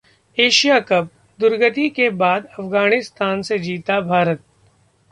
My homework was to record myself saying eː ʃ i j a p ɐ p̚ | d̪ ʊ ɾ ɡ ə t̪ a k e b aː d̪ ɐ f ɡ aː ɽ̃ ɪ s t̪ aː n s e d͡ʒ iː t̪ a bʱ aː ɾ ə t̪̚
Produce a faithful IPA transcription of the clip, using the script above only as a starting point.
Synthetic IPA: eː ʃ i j a k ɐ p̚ | d̪ ʊ ɾ ɡ ə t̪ i k e b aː d̪ ɐ f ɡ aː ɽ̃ ɪ s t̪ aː n s e d͡ʒ iː t̪ a bʱ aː ɾ ə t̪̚